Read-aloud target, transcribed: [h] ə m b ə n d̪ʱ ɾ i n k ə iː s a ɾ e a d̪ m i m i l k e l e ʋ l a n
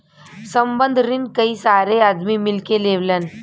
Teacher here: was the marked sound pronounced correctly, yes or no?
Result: no